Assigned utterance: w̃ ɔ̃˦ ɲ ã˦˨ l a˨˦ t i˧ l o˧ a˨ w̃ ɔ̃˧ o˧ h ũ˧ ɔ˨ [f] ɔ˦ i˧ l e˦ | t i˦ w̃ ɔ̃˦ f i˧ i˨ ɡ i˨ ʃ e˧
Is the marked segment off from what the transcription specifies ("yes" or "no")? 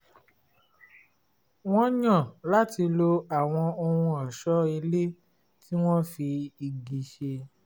yes